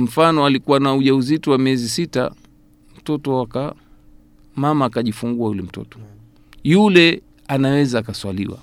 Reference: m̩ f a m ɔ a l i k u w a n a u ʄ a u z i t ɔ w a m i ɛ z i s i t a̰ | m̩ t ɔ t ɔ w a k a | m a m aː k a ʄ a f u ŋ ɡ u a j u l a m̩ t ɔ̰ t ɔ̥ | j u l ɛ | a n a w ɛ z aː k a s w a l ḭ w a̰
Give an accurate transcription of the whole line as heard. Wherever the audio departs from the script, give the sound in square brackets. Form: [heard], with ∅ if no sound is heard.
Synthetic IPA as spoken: m̩ f a [n] ɔ a l i k u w a n a u ʄ a u z i t ɔ w a m i ɛ z i s i t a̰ | m̩ t ɔ t ɔ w a k a | m a m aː k a ʄ [i] f u ŋ ɡ u a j u l [ɛ] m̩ t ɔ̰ t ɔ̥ | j u l ɛ | a n a w ɛ z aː k a s w a l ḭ w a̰